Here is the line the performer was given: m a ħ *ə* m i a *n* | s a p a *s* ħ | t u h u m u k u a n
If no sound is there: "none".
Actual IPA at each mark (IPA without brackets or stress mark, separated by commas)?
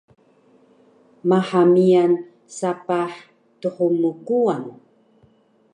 a, n, none